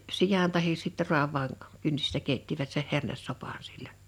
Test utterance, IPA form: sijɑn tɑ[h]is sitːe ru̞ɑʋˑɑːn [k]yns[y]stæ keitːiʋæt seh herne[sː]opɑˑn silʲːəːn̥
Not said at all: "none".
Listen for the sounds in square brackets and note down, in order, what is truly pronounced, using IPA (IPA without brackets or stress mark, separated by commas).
h, k, i, sː